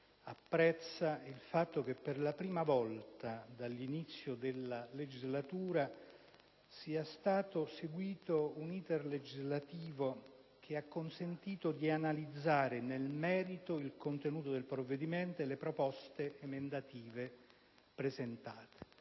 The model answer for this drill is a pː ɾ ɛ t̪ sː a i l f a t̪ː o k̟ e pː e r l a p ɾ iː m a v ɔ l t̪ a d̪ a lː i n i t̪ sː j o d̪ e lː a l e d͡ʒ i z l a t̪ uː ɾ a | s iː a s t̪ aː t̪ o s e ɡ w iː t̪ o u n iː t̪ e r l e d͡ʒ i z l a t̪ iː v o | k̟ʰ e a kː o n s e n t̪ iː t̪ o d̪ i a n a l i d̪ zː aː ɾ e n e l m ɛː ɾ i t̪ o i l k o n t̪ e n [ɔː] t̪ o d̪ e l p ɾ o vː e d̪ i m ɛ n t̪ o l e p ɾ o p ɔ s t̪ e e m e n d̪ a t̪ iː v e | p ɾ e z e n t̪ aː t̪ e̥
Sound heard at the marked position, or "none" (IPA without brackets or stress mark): uː